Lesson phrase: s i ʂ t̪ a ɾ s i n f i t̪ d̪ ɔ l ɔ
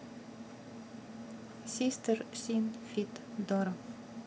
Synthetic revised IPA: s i s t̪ ə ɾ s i n f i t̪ d̪ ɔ ɾ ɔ